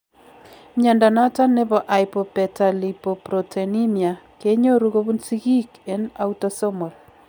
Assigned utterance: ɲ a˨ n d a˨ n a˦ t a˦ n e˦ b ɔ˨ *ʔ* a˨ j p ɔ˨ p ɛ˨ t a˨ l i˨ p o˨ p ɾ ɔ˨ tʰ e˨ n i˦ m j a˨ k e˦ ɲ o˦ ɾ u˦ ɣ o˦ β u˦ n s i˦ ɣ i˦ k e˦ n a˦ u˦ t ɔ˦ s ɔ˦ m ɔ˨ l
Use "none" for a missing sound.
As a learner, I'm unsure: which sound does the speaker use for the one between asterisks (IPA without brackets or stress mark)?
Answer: ʔ